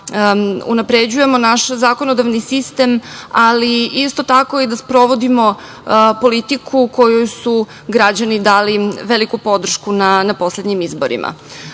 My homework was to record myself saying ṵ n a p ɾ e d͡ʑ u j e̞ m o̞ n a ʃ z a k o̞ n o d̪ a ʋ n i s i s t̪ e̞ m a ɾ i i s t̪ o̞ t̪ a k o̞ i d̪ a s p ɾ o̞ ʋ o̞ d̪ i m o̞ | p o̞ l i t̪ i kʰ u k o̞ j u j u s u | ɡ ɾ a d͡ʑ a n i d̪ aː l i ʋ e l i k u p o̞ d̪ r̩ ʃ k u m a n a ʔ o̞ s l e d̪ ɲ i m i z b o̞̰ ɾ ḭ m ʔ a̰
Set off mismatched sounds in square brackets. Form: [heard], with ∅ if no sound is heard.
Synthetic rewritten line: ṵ n a p ɾ e d͡ʑ u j e̞ m o̞ n a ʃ z a k o̞ n o d̪ a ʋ n i s i s t̪ e̞ m a [l] i i s t̪ o̞ t̪ a k o̞ i d̪ a s p ɾ o̞ ʋ o̞ d̪ i m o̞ | p o̞ l i t̪ i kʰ u k o̞ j u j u s u | ɡ ɾ a d͡ʑ a n i d̪ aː l i ʋ e l i k u p o̞ d̪ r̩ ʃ k u [n] a n a [p] o̞ s l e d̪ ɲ i m i z b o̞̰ ɾ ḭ m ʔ a̰